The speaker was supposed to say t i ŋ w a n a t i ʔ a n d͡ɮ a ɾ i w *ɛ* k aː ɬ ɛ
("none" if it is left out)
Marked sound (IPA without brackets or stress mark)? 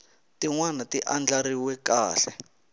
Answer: ɛ